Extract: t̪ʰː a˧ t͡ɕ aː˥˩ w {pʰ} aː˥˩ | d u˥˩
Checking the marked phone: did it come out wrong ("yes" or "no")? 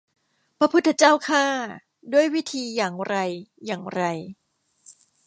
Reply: yes